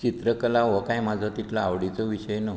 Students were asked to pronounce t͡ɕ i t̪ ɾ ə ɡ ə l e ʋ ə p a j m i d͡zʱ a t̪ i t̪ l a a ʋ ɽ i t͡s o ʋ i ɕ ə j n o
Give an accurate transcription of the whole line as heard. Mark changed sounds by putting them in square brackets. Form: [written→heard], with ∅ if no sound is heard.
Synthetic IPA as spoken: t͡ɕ i t̪ ɾ ə [ɡ→k] ə l [e→a] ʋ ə [p→k] a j m [i→a] d͡zʱ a t̪ i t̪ l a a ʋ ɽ i t͡s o ʋ i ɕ ə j n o